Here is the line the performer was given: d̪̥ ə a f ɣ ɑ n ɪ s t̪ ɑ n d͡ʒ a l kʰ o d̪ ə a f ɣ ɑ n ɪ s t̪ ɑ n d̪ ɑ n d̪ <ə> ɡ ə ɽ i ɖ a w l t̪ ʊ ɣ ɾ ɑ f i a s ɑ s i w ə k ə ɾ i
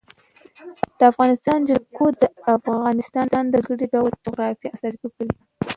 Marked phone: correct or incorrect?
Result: correct